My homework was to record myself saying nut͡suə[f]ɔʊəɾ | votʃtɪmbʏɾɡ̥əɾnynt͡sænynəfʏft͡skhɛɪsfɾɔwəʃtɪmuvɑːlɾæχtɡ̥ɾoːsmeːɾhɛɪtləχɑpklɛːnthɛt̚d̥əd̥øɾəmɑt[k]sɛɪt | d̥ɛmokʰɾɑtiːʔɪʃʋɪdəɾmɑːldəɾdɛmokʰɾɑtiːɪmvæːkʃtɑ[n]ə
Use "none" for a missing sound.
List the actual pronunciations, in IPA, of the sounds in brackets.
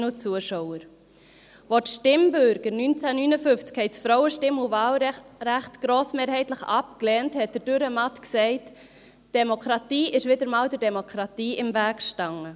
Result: ʃ, k, ŋ

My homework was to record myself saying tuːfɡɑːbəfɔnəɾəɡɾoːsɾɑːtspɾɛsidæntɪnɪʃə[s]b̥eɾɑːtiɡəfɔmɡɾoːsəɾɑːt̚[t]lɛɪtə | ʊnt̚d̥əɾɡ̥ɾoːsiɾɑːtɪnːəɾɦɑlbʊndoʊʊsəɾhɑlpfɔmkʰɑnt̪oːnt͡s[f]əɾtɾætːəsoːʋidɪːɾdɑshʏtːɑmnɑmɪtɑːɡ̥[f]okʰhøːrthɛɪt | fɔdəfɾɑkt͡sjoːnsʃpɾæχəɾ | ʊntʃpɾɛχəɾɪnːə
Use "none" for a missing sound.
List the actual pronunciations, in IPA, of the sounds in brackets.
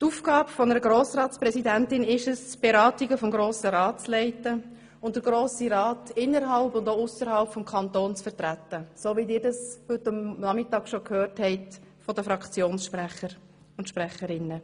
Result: s, t͡s, f, ʃ

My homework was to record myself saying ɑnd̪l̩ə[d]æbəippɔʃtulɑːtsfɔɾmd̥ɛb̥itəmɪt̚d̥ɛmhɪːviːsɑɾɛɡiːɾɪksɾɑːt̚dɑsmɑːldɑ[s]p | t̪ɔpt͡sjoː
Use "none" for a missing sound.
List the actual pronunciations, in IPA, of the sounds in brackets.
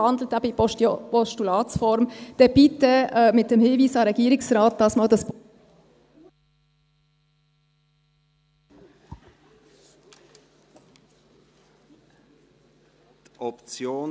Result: t, s

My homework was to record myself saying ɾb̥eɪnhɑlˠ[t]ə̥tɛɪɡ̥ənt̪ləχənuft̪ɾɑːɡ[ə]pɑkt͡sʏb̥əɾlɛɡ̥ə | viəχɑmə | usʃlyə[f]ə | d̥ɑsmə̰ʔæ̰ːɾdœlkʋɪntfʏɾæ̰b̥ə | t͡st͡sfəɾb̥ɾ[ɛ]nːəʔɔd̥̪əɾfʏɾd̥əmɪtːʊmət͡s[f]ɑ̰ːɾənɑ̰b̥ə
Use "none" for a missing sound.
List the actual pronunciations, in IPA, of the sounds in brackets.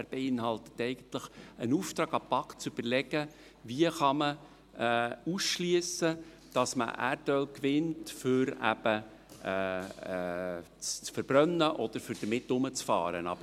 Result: t, ɑ, s, œ, f

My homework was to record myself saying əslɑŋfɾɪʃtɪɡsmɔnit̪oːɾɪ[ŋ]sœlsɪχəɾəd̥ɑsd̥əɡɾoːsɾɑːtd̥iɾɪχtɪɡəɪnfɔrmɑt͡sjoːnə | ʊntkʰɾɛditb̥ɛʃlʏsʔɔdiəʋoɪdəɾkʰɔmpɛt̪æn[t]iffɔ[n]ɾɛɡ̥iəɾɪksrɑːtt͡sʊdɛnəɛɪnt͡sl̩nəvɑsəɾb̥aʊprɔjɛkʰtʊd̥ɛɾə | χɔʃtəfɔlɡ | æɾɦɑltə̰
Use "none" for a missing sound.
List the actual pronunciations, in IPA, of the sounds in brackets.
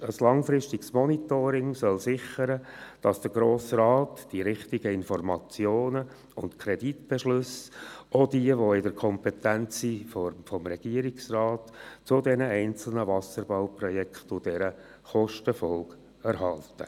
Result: ŋ, t͡s, m

